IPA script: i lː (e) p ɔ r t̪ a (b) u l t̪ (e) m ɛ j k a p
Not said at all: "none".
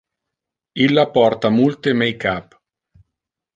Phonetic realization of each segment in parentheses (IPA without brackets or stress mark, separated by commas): a, m, e